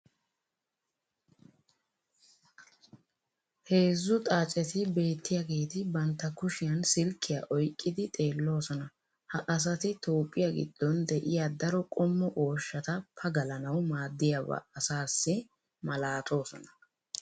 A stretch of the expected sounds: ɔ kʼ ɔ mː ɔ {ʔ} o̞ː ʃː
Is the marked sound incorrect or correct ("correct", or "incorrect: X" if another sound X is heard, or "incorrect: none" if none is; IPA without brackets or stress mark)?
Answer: correct